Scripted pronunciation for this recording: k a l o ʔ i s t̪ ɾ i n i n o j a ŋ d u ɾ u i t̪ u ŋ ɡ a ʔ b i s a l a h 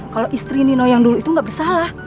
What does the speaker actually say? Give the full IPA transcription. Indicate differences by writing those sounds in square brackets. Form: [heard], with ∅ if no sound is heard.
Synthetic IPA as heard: k a l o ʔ i s t̪ ɾ i n i n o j a ŋ d u [l] u i t̪ u ŋ ɡ a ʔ b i s a l a h